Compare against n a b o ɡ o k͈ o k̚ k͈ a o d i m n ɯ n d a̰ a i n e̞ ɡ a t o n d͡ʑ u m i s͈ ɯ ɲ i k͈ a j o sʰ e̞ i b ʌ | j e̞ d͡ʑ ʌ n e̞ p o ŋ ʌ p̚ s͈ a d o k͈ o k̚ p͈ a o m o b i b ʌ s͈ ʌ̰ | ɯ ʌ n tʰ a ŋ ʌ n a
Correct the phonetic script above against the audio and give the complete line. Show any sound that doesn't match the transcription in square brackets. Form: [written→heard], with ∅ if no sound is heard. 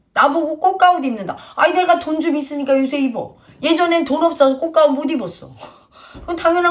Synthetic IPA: n a b o ɡ o k͈ o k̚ k͈ a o d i m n ɯ n d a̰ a i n e̞ ɡ a t o n d͡ʑ u m i s͈ ɯ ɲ i k͈ a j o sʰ e̞ i b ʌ | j e̞ d͡ʑ ʌ n e̞ [p→t] o [ŋ→n] ʌ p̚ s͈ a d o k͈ o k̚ [p͈→k͈] a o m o [b→d] i b ʌ s͈ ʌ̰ | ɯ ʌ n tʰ a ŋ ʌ n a